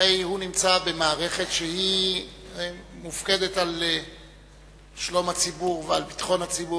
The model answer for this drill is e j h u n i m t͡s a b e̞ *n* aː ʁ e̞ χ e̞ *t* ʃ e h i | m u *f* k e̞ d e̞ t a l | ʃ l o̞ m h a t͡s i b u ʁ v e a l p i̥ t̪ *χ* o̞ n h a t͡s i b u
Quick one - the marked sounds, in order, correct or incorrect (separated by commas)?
incorrect, correct, correct, correct